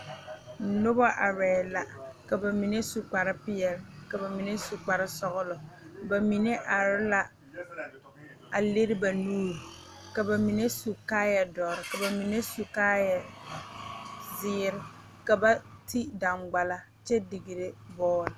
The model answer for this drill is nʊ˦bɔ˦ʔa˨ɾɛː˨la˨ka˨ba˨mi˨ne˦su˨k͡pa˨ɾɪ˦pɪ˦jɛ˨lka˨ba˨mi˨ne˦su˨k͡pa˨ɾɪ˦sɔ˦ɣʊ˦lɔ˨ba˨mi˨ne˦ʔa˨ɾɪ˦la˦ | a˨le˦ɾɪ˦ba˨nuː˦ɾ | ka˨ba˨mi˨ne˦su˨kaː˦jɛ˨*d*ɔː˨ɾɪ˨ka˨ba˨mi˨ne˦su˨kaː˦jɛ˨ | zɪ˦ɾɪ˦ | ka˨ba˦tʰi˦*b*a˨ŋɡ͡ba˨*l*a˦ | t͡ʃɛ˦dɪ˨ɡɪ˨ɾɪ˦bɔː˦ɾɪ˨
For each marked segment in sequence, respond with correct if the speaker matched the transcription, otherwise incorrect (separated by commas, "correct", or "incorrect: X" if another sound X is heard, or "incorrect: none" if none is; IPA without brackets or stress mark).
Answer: correct, incorrect: d, correct